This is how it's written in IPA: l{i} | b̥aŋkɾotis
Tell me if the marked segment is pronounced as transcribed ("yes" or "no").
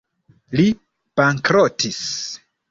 yes